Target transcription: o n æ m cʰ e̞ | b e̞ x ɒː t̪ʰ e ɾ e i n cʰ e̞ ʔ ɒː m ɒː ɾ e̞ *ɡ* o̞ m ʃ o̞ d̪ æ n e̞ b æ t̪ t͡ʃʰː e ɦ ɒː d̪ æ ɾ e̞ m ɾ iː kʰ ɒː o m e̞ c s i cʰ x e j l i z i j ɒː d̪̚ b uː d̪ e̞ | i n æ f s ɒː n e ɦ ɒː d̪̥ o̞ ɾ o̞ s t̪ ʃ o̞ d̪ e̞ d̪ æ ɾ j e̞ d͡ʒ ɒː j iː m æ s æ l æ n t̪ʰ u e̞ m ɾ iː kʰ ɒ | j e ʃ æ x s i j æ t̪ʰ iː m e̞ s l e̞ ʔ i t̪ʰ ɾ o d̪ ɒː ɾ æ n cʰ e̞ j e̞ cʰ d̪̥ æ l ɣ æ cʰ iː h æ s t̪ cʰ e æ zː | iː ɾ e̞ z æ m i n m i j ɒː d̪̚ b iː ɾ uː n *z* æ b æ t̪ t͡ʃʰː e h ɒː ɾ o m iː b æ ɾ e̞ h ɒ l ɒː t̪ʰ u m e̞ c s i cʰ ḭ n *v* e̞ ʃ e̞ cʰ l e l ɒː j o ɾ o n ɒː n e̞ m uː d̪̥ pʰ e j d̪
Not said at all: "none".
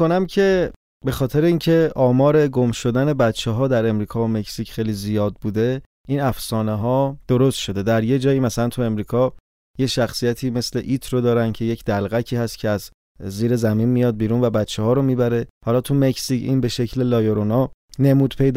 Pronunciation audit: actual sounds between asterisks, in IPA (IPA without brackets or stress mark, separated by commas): ɡ, v, b